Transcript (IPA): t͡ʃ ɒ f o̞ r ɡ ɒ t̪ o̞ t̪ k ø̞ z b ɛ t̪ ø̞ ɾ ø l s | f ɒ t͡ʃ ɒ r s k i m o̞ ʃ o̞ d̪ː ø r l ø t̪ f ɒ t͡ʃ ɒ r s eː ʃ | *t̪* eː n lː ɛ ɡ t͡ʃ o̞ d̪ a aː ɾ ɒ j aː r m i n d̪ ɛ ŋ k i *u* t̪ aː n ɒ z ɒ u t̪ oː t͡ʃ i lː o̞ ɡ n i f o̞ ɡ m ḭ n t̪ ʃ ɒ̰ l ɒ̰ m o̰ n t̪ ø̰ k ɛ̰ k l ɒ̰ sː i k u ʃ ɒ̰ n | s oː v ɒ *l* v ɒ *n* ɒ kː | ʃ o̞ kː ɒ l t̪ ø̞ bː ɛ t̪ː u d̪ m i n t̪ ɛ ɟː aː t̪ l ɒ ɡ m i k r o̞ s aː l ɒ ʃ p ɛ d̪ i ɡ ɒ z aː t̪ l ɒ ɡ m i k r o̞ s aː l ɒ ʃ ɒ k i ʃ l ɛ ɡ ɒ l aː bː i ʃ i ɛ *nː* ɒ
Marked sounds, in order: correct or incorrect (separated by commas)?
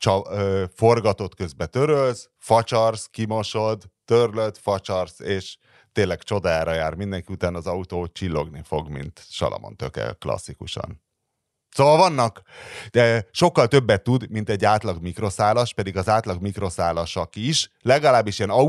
correct, correct, correct, incorrect, incorrect